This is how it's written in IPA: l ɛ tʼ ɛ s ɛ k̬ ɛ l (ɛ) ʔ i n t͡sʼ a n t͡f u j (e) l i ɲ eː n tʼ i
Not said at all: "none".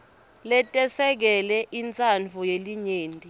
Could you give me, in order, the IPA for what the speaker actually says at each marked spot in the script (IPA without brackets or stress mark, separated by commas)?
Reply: ɛ, e